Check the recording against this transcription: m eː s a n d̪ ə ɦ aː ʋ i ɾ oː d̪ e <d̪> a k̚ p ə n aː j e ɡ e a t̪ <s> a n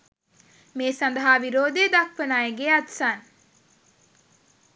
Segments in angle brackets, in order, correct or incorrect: correct, correct

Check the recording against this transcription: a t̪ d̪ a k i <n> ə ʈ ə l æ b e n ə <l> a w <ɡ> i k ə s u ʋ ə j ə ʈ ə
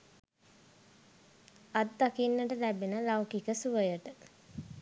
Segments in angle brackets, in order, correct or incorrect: incorrect: nː, correct, incorrect: k

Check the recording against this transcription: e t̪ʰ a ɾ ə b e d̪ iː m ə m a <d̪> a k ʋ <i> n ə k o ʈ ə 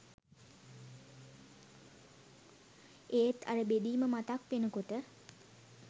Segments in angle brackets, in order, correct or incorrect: incorrect: t̪, incorrect: e

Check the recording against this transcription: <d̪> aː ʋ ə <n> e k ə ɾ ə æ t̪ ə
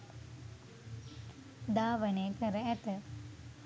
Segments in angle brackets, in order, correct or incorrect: correct, correct

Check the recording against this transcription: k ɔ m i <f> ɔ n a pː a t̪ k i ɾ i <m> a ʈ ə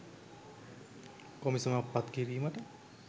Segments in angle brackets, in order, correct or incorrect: incorrect: s, correct

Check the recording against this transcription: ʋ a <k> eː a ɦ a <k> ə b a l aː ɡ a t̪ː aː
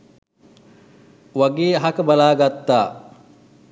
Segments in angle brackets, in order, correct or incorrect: incorrect: ɡ, correct

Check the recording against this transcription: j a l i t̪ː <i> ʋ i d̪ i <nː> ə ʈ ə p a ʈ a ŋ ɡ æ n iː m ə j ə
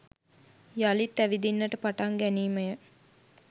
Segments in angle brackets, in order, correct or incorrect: incorrect: æ, correct

